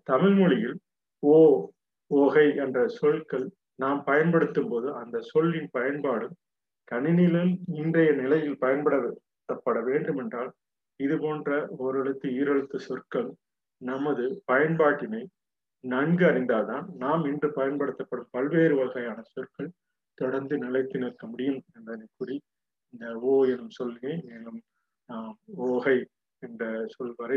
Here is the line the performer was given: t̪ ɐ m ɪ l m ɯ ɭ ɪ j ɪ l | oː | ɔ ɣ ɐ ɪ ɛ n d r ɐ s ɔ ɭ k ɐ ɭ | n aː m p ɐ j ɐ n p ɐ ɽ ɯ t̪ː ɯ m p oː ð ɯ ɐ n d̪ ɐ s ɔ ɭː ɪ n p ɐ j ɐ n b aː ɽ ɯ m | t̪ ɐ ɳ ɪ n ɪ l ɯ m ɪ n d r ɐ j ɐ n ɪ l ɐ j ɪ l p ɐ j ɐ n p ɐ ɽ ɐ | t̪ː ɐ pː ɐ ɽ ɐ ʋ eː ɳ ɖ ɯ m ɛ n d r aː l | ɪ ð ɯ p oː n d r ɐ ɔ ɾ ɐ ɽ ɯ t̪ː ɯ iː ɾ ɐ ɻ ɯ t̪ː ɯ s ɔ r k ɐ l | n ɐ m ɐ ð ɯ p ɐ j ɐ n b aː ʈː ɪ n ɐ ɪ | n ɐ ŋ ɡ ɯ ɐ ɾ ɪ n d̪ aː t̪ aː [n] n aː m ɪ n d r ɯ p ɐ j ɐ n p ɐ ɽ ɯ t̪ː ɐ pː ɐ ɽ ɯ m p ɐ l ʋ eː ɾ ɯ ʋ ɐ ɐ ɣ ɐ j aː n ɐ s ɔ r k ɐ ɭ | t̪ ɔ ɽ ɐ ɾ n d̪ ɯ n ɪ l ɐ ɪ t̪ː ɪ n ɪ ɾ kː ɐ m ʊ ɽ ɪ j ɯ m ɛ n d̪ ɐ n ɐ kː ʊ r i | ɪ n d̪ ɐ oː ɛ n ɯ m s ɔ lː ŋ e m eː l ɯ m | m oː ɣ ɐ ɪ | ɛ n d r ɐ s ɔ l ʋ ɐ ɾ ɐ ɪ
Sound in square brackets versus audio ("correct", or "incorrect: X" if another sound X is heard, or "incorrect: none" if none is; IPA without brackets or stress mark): correct